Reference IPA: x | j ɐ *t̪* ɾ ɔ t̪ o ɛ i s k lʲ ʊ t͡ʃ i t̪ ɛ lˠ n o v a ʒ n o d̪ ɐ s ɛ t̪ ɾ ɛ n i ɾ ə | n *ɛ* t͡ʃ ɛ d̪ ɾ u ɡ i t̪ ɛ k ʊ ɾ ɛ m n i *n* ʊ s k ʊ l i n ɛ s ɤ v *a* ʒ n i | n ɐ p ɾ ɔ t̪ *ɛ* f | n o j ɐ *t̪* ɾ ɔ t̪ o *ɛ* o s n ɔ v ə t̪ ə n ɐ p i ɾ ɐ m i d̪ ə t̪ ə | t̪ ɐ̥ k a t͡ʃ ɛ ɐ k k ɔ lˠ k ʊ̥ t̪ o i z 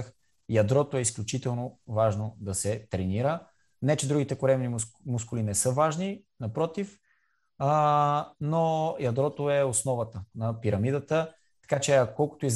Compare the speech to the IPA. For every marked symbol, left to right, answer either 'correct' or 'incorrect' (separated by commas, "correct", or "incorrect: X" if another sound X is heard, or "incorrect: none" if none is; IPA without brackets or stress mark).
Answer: incorrect: d̪, correct, incorrect: m, correct, incorrect: i, incorrect: d̪, correct